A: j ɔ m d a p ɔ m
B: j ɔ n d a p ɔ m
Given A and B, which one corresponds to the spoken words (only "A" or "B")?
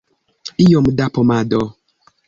A